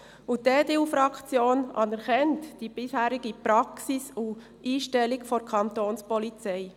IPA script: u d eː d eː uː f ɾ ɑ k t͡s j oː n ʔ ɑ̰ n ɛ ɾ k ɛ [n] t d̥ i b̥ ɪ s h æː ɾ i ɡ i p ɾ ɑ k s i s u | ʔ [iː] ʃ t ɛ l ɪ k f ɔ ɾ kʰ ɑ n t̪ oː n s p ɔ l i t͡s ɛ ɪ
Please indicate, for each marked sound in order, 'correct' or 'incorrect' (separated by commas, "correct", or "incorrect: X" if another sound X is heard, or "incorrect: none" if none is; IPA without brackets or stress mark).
correct, correct